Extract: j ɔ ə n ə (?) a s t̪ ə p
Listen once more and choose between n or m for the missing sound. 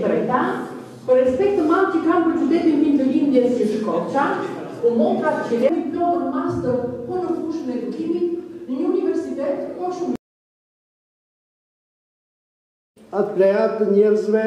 m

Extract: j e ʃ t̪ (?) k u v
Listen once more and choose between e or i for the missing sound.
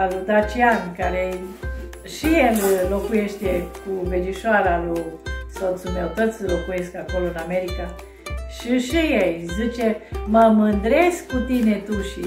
e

